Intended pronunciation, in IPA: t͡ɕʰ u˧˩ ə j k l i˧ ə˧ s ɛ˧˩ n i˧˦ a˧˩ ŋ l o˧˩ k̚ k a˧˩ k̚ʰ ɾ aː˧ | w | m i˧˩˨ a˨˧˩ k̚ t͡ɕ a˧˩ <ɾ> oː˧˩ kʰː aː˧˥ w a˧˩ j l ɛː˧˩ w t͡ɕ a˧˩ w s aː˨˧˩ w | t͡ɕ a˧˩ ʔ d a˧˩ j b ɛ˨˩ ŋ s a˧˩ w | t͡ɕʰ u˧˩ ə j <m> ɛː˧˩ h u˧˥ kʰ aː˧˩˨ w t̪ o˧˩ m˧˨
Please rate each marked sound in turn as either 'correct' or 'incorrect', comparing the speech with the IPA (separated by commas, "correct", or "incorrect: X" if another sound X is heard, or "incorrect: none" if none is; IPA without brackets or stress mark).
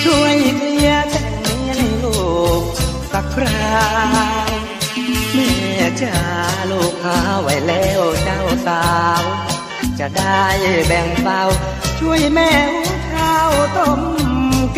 incorrect: l, correct